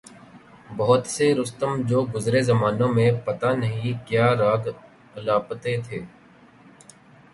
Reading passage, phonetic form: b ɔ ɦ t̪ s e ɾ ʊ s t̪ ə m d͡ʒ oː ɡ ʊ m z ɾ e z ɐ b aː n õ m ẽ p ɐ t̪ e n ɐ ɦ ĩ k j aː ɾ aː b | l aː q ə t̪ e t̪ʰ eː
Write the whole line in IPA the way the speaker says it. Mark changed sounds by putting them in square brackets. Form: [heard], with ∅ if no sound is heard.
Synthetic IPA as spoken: b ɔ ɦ t̪ s e ɾ ʊ s t̪ ə m d͡ʒ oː ɡ ʊ [∅] z ɾ e z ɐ [m] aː n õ m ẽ p ɐ t̪ [a] n ɐ ɦ ĩ k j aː ɾ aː [ɡ] | l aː [p] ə t̪ e t̪ʰ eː

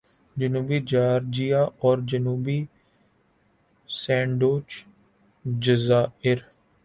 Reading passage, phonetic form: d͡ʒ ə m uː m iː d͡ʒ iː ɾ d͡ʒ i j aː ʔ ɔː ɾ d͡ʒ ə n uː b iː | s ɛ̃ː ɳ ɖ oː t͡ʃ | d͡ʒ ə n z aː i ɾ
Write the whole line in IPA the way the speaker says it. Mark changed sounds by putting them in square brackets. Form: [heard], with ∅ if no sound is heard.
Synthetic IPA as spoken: d͡ʒ ə [n] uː [b] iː d͡ʒ [aː] ɾ d͡ʒ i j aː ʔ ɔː ɾ d͡ʒ ə n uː b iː | s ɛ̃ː ɳ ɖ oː t͡ʃ | d͡ʒ ə [∅] z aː [ɪ] ɾ

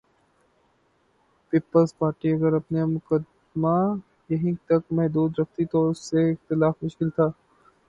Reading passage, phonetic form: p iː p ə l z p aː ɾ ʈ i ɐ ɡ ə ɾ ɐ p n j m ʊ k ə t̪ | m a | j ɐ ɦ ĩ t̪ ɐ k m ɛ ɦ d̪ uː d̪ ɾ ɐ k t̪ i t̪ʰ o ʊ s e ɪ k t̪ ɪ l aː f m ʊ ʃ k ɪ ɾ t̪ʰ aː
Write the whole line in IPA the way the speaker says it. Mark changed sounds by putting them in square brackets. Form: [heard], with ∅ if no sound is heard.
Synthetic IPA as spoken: p iː p ə l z p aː ɾ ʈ i ɐ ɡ ə ɾ ɐ p n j m ʊ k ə [d̪] | m a | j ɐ ɦ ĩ t̪ ɐ k m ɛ ɦ d̪ uː d̪ ɾ ɐ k t̪ i [t̪] o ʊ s e ɪ [x] t̪ ɪ l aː f m ʊ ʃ k ɪ [l] t̪ʰ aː

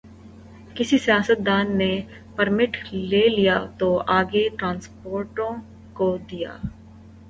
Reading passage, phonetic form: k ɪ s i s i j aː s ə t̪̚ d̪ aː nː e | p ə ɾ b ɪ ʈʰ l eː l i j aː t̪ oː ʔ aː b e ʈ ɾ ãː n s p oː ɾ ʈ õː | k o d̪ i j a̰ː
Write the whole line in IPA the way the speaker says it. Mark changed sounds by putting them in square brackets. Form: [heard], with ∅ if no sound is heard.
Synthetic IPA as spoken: k ɪ s i s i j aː s ə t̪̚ d̪ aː nː e | p ə ɾ [m] ɪ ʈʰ l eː l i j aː t̪ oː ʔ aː [ɡ] e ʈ ɾ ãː n s p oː ɾ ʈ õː | k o d̪ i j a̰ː

